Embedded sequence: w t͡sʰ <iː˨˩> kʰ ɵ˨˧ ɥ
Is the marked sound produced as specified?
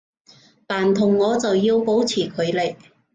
yes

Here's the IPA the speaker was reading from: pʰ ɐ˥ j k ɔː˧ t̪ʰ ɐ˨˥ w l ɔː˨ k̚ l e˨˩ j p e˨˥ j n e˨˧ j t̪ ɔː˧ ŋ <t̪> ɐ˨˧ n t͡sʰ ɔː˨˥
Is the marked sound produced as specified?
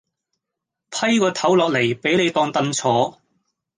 yes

